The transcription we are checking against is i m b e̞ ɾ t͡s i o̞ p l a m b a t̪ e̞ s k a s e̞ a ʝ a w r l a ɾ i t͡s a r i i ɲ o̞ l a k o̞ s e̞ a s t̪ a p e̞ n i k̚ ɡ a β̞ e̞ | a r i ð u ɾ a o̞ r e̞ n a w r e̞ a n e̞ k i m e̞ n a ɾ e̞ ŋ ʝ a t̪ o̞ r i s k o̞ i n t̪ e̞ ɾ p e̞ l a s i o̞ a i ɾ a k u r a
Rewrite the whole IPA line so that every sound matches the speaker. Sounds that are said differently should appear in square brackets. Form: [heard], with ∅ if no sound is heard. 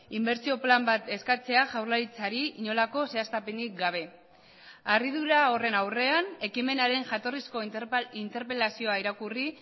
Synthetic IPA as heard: i m b e̞ ɾ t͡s i o̞ p l a m b a t̪ e̞ s k a [t͡s] e̞ a ʝ a w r l a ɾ i t͡s a [ɾ] i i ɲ o̞ l a k o̞ s e̞ a s t̪ a p e̞ n i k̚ ɡ a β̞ e̞ | a r i ð u ɾ a o̞ r e̞ n a w r e̞ a n e̞ k i m e̞ n a ɾ e̞ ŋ ʝ a t̪ o̞ r i s k o̞ i n t̪ e̞ ɾ p e̞ l a s i o̞ a i ɾ a k u r [i]